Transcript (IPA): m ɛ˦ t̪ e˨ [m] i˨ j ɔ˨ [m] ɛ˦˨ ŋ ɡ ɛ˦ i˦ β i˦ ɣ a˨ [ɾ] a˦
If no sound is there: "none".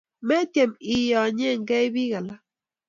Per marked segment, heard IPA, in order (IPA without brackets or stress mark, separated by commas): m, ɲ, l